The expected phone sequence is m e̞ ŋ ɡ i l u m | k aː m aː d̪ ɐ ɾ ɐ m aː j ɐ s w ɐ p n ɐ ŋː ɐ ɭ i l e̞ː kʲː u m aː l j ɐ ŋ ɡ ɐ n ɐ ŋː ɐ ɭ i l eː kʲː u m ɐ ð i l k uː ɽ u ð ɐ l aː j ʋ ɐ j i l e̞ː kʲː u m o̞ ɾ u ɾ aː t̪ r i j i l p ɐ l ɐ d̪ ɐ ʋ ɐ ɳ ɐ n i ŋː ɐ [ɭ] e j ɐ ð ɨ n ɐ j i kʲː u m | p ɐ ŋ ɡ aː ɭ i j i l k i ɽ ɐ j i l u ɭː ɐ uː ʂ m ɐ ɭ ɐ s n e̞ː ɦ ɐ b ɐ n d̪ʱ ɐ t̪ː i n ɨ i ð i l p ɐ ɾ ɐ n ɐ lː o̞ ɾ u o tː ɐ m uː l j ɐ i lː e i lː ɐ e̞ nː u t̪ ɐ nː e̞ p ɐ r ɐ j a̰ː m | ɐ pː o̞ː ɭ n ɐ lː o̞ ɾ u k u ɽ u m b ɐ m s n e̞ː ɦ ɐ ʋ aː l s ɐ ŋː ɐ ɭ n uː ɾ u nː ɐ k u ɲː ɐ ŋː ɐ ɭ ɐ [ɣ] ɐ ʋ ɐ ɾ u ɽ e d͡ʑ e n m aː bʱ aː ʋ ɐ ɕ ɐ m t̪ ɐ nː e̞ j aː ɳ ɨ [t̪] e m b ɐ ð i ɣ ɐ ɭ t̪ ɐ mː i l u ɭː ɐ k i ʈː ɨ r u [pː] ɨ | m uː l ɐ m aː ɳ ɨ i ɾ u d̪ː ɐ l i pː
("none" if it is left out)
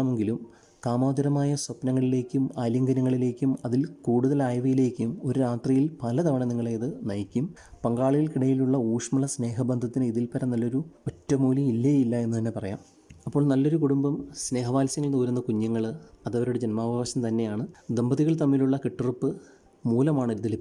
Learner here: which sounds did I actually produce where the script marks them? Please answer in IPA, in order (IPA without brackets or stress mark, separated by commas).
ɭ, ð, d̪, pː